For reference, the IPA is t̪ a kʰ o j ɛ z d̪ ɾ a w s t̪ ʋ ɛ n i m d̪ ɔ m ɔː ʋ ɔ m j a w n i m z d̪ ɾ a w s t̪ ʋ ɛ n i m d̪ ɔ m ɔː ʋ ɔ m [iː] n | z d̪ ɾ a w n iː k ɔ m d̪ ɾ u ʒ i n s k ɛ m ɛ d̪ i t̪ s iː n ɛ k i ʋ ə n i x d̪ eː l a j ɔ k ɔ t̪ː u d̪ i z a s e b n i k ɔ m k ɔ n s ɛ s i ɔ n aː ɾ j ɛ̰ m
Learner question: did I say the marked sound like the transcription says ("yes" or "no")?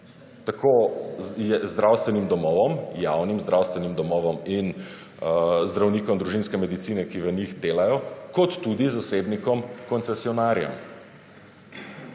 no